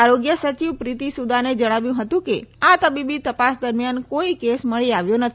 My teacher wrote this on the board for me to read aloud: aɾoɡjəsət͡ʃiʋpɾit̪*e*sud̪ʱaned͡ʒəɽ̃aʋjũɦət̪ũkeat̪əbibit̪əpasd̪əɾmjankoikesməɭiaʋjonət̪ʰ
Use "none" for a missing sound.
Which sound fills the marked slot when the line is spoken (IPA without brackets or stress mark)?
i